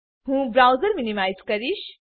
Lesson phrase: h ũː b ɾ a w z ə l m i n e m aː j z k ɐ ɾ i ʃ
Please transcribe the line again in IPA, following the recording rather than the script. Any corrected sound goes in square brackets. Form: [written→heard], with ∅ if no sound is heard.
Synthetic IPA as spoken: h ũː b ɾ a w z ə [l→ɾ] m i n [e→i] m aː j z k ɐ ɾ i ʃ

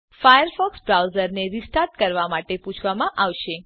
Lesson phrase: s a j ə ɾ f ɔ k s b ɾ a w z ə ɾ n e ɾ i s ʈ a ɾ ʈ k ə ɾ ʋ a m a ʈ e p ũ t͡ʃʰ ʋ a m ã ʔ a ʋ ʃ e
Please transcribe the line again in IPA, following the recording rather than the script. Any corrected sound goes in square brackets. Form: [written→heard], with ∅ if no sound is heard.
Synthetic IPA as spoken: [s→f] a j ə ɾ f ɔ k s b ɾ a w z ə ɾ n e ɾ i s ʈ a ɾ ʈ k ə ɾ ʋ a m a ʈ e p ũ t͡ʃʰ ʋ a m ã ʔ a ʋ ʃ e

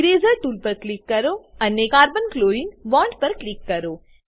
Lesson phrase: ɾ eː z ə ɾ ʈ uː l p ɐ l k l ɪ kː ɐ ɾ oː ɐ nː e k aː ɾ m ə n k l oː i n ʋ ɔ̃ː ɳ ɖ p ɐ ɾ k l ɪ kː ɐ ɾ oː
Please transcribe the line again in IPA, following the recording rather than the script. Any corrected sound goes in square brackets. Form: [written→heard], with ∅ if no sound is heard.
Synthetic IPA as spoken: ɾ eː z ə ɾ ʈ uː l p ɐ [l→ɾ] k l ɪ kː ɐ ɾ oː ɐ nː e k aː ɾ [m→b] ə n k l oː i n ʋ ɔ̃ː ɳ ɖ p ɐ ɾ k l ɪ kː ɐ ɾ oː

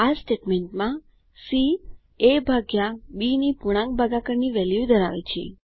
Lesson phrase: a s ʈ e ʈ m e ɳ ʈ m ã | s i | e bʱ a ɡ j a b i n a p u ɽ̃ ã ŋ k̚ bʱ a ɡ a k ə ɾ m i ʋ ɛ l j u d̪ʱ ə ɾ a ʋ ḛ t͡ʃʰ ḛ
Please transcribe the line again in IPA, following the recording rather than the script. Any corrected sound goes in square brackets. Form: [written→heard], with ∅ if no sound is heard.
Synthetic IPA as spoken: a s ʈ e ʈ m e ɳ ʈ m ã | s i | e bʱ a ɡ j a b i n [a→i] p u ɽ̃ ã ŋ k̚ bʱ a ɡ a k ə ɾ [m→n] i ʋ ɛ l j u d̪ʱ ə ɾ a ʋ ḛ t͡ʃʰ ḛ

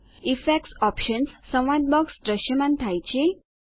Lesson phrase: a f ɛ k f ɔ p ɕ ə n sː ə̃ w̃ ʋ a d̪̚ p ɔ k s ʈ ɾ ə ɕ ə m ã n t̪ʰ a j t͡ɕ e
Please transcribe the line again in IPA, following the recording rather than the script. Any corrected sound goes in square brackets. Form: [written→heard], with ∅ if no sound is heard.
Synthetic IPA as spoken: [a→i] f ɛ k [f→s] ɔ p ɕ ə n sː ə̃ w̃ ʋ a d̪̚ [p→b] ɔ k s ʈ ɾ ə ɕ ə m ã n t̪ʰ a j t͡ɕ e

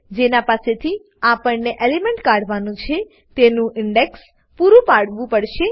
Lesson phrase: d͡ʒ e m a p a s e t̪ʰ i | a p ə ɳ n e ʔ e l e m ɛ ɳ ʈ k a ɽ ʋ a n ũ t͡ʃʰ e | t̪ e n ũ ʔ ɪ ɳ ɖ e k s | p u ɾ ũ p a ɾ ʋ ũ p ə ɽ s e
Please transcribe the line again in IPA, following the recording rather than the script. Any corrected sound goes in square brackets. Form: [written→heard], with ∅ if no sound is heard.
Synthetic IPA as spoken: d͡ʒ e [m→n] a p a s e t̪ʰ i | a p ə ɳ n e ʔ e l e m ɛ ɳ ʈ k a ɽ ʋ a n ũ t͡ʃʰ e | t̪ e n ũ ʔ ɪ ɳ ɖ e k s | p u ɾ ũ p a [ɾ→ɽ] ʋ ũ p ə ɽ [s→ʃ] e

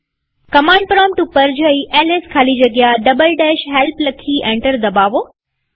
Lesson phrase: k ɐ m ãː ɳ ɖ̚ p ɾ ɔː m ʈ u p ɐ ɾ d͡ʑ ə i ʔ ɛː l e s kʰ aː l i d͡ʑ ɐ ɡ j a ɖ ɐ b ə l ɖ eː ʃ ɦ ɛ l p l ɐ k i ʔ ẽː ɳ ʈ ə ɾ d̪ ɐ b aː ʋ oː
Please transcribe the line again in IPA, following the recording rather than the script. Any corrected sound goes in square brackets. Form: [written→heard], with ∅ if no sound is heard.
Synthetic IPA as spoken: k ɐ m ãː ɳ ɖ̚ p ɾ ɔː m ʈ u p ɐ ɾ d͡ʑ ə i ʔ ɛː l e s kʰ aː l i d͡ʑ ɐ ɡ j a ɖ ɐ b ə l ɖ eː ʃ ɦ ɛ l p l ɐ [k→kʰ] i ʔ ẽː ɳ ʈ ə ɾ d̪ ɐ b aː ʋ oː

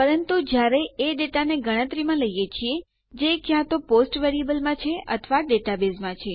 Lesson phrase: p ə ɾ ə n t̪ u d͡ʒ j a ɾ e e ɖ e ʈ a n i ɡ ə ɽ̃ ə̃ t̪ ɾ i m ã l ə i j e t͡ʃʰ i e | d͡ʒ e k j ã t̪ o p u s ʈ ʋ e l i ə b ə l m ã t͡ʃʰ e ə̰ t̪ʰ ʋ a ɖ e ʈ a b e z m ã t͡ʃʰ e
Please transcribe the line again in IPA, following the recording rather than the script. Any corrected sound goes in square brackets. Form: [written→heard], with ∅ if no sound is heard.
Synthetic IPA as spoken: p ə ɾ ə n t̪ u d͡ʒ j a ɾ e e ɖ e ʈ a n [i→e] ɡ ə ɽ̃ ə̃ t̪ ɾ i m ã l ə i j e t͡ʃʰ i e | d͡ʒ e k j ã t̪ o p [u→o] s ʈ ʋ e [l→ɾ] i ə b ə l m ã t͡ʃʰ e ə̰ t̪ʰ ʋ a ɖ e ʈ a b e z m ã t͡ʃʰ e

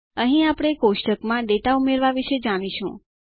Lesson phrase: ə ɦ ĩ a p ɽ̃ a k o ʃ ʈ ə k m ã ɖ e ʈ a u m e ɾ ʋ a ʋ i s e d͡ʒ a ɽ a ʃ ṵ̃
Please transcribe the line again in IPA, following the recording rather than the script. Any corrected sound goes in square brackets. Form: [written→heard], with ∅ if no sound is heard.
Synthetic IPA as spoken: ə ɦ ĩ a p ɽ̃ [a→e] k o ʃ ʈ ə k m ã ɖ e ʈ a u m e ɾ ʋ a ʋ i [s→ʃ] e d͡ʒ a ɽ [a→i] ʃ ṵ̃

